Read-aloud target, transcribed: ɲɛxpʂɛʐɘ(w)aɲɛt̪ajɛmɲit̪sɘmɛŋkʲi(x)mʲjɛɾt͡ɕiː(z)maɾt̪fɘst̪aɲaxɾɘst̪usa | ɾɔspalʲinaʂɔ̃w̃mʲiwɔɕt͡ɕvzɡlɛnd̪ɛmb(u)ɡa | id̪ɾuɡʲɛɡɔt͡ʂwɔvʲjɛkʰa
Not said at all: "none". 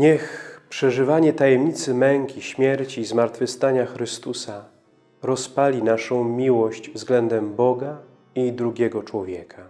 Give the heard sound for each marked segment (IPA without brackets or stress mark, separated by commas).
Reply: v, ɕ, z, ɔ